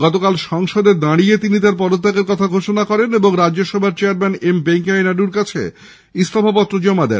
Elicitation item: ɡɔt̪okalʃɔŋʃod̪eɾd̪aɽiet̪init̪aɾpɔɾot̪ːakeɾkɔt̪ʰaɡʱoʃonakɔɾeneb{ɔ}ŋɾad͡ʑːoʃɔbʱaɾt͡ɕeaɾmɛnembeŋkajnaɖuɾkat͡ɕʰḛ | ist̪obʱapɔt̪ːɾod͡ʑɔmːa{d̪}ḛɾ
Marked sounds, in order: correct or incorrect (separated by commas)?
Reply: incorrect, correct